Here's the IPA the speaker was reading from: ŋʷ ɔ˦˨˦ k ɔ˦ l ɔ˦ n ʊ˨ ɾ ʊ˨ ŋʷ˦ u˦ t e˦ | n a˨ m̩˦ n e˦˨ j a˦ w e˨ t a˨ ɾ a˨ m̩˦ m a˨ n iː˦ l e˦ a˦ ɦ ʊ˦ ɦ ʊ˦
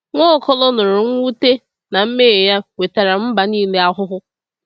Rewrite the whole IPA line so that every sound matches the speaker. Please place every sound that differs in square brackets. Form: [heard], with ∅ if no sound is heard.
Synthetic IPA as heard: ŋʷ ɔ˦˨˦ k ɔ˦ l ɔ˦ n ʊ˨ ɾ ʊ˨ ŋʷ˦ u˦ t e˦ | n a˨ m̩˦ [m] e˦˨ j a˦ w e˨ t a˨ ɾ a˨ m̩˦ [b] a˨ n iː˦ l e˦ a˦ ɦ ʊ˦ ɦ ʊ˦

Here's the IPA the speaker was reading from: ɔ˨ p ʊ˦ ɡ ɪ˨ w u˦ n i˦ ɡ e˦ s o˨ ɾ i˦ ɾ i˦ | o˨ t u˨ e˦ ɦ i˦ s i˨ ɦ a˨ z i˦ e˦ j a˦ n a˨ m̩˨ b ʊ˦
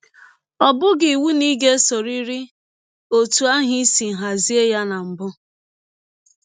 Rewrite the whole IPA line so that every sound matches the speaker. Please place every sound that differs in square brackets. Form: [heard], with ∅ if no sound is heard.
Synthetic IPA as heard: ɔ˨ [b] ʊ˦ ɡ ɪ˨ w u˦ n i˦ ɡ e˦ s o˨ ɾ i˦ ɾ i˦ | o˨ t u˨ [a˦] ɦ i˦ s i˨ ɦ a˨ z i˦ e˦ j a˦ n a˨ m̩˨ b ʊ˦

